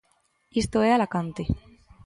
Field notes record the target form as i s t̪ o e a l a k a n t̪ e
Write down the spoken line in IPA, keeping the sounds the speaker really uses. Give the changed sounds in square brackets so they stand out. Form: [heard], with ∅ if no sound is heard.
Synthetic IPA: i s t̪ o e a l a k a n t̪ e